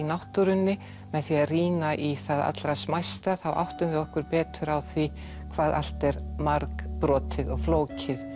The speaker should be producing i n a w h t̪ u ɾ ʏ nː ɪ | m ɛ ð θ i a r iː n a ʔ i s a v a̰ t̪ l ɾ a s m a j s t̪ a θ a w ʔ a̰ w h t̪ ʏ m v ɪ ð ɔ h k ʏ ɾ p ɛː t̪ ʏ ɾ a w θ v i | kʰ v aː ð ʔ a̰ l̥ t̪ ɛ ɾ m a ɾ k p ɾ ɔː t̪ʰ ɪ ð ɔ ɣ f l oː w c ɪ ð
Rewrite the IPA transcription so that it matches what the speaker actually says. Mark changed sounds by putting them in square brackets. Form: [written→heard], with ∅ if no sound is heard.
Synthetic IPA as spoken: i n a w h t̪ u ɾ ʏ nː ɪ | m ɛ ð θ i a r iː n a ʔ i [s→θ] a [v→ð] a̰ t̪ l ɾ a s m a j s t̪ a θ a w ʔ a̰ w h t̪ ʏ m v ɪ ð ɔ h k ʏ ɾ p ɛː t̪ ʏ ɾ a w θ v i | kʰ v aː ð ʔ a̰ l̥ t̪ ɛ ɾ m a ɾ k p ɾ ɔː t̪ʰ ɪ ð ɔ ɣ f l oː w c ɪ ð